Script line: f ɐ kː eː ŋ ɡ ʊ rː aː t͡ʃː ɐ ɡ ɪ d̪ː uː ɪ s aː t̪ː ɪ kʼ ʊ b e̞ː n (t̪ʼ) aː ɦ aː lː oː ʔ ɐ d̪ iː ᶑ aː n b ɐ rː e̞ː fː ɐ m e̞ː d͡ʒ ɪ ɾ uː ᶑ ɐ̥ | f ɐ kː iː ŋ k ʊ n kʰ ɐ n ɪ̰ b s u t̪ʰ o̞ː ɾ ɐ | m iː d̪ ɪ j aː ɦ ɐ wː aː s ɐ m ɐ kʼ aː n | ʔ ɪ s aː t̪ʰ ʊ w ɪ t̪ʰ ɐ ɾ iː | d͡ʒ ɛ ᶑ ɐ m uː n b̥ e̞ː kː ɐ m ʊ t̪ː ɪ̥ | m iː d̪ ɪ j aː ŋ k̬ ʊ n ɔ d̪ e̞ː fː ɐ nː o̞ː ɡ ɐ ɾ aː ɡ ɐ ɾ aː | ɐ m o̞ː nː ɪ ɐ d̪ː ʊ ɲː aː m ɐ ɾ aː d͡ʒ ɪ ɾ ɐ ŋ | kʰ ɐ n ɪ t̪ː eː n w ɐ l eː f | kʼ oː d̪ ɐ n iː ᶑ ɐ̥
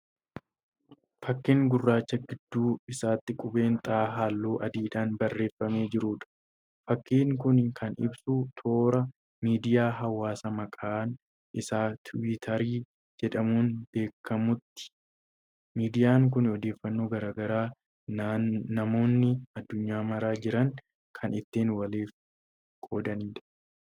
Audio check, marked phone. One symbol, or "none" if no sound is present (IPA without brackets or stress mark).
t̪ʼ